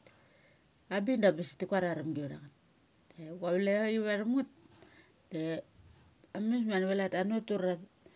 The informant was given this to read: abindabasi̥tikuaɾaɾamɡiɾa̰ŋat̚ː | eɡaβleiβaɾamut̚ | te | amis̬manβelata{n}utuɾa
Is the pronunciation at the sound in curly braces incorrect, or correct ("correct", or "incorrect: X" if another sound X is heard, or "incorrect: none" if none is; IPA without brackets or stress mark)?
correct